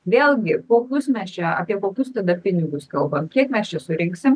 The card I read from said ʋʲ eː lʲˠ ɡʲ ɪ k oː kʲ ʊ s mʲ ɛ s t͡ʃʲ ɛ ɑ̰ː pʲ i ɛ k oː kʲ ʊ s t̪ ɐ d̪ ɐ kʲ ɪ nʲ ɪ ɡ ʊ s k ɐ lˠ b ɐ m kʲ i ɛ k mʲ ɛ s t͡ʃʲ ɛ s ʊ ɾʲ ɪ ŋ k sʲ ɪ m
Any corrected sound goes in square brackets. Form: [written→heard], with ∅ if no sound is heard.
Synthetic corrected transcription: ʋʲ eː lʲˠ ɡʲ ɪ k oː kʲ ʊ s mʲ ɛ s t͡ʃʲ ɛ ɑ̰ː pʲ i ɛ k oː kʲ ʊ s t̪ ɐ d̪ ɐ [kʲ→pʲ] ɪ nʲ ɪ ɡ ʊ s k ɐ lˠ b ɐ m kʲ i ɛ k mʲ ɛ s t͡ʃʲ ɛ s ʊ ɾʲ ɪ ŋ k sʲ ɪ m